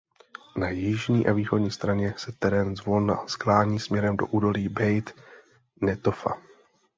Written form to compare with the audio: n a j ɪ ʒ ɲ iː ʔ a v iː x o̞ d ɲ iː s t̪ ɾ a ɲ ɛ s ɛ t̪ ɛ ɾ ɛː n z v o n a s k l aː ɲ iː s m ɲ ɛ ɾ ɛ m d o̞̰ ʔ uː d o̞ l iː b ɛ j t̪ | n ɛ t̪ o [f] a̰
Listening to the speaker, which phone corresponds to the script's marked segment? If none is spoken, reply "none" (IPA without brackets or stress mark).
f